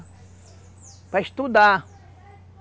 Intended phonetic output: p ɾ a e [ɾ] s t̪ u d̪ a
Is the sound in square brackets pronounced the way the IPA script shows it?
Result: no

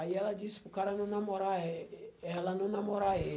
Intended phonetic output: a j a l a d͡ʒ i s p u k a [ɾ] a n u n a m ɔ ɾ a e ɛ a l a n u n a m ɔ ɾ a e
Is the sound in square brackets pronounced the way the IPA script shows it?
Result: yes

